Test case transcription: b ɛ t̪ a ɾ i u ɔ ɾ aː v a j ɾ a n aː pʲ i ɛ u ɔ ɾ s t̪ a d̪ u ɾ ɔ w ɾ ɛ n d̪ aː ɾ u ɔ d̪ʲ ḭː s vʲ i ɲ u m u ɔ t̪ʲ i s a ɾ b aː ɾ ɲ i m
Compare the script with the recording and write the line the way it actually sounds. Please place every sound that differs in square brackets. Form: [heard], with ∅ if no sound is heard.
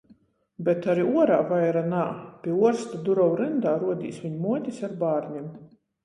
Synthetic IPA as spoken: b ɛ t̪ a ɾ i u ɔ ɾ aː v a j ɾ a n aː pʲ i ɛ u ɔ ɾ s t̪ a d̪ u ɾ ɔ w ɾ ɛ n d̪ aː ɾ u ɔ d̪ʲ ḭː s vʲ i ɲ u m u ɔ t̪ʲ i s a ɾ b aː ɾ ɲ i m